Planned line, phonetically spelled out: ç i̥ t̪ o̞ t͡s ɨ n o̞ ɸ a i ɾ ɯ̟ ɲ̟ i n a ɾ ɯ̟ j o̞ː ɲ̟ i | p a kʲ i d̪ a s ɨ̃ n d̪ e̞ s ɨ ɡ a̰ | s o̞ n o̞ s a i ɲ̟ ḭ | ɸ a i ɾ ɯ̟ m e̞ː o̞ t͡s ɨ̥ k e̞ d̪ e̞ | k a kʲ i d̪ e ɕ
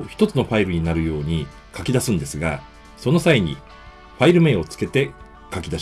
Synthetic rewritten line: ç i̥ t̪ o̞ t͡s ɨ n o̞ ɸ a i ɾ ɯ̟ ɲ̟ i n a ɾ ɯ̟ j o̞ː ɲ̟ i | k a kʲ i d̪ a s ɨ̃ n d̪ e̞ s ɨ ɡ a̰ | s o̞ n o̞ s a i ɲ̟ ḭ | ɸ a i ɾ ɯ̟ m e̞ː o̞ t͡s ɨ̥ k e̞ t̪ e̞ | k a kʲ i d̪ a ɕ